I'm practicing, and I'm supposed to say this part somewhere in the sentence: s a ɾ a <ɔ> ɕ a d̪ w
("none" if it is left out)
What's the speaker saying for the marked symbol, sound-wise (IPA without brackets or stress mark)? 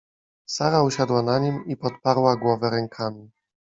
u